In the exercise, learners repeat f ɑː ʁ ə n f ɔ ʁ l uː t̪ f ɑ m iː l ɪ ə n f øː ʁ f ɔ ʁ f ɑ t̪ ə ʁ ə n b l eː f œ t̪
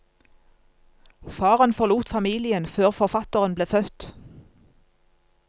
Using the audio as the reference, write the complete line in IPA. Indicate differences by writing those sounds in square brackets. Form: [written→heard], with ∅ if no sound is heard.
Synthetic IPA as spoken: f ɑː ʁ ə n f ɔ ʁ l uː t̪ f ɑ m iː l ɪ ə n f øː ʁ f ɔ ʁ f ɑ t̪ ə ʁ ə n b l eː f œ t̪